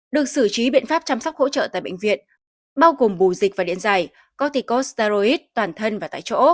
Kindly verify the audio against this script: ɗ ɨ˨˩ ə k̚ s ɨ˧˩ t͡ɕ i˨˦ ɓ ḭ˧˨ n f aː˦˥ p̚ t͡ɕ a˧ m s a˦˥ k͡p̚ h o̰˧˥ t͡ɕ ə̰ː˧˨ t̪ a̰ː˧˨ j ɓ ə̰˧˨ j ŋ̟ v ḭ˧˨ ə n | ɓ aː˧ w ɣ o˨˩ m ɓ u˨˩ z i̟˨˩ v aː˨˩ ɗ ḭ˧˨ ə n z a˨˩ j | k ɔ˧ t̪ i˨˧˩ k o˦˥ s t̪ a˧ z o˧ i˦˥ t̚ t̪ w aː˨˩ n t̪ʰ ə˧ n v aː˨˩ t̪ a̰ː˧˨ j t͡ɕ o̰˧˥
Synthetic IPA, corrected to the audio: ɗ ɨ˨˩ ə k̚ s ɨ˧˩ t͡ɕ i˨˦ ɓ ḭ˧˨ n f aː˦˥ p̚ t͡ɕ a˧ m s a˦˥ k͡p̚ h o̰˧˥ t͡ɕ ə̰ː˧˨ t̪ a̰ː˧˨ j ɓ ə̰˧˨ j ŋ̟ v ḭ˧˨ ə n | ɓ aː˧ w ɣ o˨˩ m ɓ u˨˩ z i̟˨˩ v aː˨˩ ɗ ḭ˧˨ ə n z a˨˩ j | k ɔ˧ t̪ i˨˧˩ k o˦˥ s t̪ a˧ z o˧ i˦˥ t̚ t̪ w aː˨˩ n t̪ʰ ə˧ n v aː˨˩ t̪ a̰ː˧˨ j t͡ɕ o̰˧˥